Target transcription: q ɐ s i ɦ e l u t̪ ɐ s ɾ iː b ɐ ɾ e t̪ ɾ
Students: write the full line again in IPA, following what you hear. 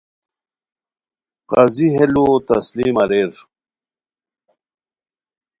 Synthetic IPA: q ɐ z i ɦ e l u t̪ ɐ s l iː m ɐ ɾ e ɾ